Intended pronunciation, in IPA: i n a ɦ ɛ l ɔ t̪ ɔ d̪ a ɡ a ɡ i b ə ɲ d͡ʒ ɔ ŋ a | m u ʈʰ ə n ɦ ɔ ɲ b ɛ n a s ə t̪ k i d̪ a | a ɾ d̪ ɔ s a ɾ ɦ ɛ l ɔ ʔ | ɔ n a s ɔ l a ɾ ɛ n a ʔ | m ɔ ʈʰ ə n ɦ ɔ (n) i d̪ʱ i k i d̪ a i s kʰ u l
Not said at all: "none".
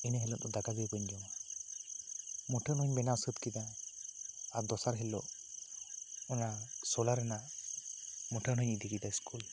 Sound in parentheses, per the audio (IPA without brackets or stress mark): ɲ